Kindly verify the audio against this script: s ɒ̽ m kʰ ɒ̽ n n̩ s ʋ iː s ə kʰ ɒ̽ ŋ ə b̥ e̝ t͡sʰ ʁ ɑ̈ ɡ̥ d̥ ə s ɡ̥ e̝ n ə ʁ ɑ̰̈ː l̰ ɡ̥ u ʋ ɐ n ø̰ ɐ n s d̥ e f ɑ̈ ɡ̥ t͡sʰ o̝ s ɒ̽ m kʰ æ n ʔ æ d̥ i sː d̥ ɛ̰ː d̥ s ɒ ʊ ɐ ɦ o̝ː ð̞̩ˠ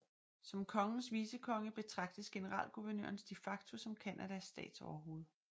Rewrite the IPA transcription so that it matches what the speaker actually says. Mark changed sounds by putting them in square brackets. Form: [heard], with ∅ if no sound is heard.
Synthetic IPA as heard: s ɒ̽ m kʰ ɒ̽ [ŋ] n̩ s ʋ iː s ə kʰ ɒ̽ ŋ ə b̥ e̝ t͡sʰ ʁ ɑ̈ ɡ̥ d̥ ə s ɡ̥ e̝ n ə ʁ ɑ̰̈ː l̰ ɡ̥ u ʋ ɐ n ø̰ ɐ n s d̥ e f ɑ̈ ɡ̥ t͡sʰ o̝ s ɒ̽ m kʰ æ n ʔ æ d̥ [æ] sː d̥ ɛ̰ː d̥ s ɒ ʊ ɐ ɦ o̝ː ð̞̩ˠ